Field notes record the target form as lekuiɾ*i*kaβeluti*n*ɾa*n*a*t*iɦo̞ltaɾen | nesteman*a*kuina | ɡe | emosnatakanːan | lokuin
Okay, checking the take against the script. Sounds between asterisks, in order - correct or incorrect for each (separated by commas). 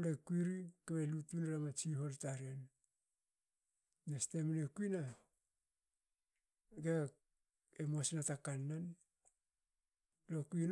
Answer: correct, correct, incorrect, incorrect, incorrect